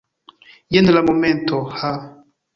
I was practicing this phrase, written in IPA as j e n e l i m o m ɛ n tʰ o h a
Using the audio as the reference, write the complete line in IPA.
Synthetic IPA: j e n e l a m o m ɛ n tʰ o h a